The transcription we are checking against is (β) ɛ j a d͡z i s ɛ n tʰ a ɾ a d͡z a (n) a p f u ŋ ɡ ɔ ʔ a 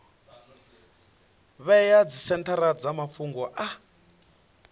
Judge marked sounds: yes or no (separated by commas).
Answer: yes, no